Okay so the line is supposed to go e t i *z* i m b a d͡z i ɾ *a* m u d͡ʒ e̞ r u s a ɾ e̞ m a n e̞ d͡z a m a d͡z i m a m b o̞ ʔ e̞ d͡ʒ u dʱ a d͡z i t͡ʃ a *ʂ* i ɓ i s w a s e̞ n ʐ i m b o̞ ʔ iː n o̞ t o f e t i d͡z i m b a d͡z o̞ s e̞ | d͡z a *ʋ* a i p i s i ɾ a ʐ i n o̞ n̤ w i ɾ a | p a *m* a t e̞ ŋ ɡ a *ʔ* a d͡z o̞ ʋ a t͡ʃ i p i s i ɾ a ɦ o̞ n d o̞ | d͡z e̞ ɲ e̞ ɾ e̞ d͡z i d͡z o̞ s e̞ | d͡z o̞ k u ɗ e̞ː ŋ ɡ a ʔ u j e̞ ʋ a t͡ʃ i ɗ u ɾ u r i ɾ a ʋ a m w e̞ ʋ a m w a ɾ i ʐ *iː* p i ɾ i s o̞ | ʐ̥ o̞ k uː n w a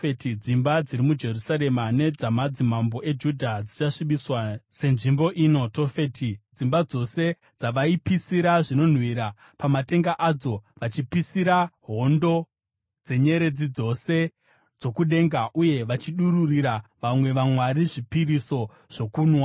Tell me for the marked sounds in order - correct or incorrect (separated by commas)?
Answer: incorrect, incorrect, correct, correct, correct, correct, incorrect